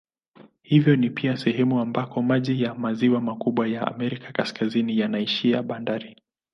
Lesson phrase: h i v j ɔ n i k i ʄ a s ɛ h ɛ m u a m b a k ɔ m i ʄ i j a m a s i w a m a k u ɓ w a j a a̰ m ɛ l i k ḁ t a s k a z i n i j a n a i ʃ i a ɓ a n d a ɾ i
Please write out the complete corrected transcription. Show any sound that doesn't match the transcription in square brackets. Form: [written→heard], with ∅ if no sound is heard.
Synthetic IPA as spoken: h i v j ɔ n i [k→p] i [ʄ→∅] a s ɛ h ɛ m u a m b a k ɔ m [i→a] ʄ i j a m a [s→z] i w a m a k u ɓ w a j a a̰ m ɛ [l→ɾ] i k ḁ [t→k] a s k a z i n i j a n a i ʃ i a ɓ a n d a ɾ i